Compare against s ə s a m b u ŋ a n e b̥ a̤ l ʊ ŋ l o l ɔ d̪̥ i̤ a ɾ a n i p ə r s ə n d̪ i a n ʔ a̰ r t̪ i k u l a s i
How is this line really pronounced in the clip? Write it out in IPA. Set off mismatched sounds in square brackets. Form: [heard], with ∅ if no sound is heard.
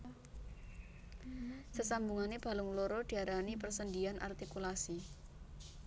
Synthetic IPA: s ə s a m b u ŋ a n e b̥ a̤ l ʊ ŋ l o [ɾ] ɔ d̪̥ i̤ a ɾ a n i p ə r s ə n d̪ i a n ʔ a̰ r t̪ i k u l a s i